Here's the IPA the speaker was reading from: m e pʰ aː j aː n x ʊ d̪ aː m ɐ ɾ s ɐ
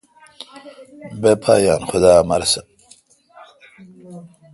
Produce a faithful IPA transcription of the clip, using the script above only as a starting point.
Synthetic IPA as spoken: b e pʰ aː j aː n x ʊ d̪ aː m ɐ ɾ s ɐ